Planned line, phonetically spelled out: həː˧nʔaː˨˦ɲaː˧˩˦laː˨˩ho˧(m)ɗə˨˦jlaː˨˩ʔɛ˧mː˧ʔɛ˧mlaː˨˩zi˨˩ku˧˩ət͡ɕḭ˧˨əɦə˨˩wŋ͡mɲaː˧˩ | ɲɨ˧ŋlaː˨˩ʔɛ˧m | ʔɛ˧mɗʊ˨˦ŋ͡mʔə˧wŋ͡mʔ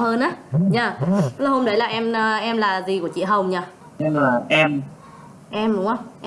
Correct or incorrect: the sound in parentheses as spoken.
correct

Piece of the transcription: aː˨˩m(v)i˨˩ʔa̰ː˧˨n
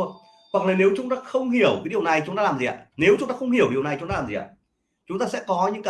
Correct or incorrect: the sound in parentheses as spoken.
incorrect: z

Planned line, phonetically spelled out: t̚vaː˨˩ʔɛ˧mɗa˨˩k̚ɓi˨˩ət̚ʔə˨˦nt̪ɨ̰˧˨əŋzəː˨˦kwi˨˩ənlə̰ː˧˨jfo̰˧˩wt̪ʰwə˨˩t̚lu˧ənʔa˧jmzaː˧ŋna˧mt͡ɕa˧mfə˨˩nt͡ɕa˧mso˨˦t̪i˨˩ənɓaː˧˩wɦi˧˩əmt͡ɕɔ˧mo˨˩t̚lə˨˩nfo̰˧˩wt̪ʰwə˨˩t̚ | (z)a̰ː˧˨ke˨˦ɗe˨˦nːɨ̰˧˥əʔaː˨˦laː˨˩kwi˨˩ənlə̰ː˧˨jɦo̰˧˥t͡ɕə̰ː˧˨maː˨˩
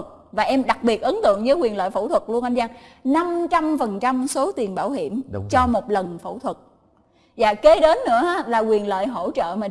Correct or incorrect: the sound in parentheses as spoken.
correct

